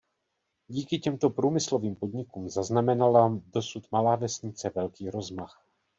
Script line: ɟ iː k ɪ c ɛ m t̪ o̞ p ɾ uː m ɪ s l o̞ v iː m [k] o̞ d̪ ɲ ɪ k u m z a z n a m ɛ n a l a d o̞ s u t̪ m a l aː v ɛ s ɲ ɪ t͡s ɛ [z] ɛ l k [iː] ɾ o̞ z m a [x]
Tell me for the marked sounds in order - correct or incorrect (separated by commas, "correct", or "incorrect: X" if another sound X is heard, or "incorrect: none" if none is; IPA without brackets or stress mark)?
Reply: incorrect: p, incorrect: v, correct, correct